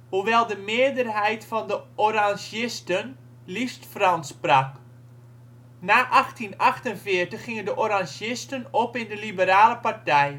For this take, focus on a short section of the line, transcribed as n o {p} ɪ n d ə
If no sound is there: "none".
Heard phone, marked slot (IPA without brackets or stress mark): p